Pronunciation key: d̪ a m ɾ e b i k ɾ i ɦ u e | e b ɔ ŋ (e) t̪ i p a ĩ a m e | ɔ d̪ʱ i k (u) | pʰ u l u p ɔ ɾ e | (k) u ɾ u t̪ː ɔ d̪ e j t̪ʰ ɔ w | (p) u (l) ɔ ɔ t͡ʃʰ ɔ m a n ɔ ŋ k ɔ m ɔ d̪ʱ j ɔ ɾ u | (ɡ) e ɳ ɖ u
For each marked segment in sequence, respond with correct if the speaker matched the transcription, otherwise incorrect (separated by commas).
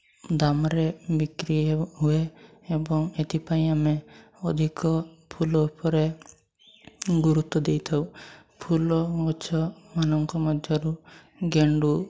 correct, incorrect, incorrect, incorrect, correct, correct